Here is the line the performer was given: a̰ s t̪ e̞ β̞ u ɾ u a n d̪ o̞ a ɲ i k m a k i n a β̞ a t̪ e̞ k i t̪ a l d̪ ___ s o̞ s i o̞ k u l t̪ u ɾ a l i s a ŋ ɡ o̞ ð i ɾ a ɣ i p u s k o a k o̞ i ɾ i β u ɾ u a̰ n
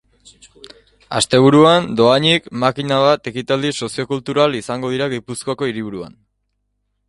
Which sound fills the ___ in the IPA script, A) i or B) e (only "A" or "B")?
A